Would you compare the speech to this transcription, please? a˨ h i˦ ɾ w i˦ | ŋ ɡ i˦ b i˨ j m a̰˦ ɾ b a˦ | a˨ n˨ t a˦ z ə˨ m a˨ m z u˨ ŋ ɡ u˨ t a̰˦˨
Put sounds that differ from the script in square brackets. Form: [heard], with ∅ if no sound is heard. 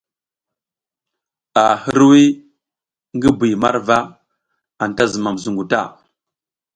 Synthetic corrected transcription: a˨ h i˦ ɾ w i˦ | ŋ ɡ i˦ b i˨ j m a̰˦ ɾ [v] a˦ | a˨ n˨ t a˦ z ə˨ m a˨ m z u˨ ŋ ɡ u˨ t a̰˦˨